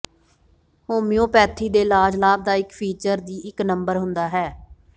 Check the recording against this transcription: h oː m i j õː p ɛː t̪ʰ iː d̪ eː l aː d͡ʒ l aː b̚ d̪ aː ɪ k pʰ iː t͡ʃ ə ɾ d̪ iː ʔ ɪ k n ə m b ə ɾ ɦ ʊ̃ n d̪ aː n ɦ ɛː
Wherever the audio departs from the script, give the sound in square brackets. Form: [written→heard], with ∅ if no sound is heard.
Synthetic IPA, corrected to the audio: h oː m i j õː p ɛː t̪ʰ iː d̪ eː l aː d͡ʒ l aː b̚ d̪ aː ɪ k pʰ iː t͡ʃ ə ɾ d̪ iː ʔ ɪ k n ə m b ə ɾ ɦ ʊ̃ n d̪ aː [n→∅] ɦ ɛː